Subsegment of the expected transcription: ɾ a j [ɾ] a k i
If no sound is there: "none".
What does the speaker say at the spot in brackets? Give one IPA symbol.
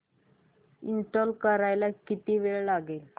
l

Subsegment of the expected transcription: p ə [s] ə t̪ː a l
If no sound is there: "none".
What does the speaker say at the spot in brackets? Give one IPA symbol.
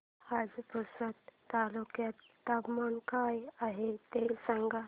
s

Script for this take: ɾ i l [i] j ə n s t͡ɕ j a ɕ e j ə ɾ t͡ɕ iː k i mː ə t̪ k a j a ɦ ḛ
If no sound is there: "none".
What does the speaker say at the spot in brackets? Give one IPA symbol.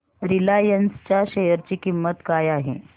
a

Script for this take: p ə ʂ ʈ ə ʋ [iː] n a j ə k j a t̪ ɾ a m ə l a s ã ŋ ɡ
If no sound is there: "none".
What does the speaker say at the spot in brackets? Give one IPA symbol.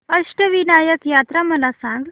i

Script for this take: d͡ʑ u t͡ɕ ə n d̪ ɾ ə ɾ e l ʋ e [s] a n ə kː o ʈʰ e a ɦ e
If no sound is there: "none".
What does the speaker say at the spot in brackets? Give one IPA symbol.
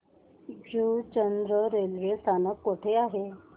s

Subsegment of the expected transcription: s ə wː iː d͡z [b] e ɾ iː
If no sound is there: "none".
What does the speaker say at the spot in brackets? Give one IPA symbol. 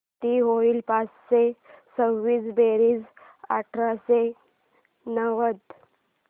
b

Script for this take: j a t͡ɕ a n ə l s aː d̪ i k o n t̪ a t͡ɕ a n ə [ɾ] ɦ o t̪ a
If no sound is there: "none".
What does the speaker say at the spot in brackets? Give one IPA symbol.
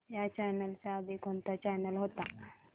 l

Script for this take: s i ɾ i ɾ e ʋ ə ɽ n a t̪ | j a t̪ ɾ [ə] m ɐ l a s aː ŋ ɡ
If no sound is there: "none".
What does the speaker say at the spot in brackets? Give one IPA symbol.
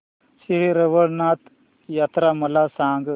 a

